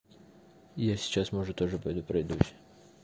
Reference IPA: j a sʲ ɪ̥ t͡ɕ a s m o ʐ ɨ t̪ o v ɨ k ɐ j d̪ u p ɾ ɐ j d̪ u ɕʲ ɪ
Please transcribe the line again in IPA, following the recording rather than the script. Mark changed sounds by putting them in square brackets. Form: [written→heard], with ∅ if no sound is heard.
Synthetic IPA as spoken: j a sʲ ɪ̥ t͡ɕ a s m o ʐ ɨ t̪ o [v→ʐ] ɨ [k→p] ɐ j d̪ u p ɾ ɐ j d̪ u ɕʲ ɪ